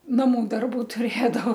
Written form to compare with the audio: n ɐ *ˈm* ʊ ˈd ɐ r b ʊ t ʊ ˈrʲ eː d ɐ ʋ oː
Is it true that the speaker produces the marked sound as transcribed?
yes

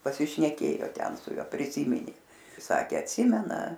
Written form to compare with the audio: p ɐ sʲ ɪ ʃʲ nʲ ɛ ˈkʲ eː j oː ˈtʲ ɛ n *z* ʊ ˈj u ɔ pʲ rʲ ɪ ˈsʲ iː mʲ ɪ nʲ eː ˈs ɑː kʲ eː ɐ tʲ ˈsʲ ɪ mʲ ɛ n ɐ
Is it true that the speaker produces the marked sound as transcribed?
no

